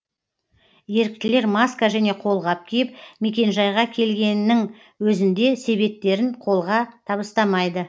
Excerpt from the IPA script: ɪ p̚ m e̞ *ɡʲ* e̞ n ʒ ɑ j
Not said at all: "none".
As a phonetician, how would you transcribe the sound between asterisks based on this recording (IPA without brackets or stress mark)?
kʲ